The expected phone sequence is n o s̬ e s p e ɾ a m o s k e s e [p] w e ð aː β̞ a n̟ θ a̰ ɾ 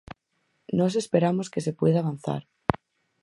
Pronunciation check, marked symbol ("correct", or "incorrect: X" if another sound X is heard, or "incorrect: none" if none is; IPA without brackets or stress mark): correct